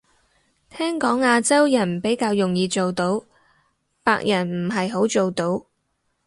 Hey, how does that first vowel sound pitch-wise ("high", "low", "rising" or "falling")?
high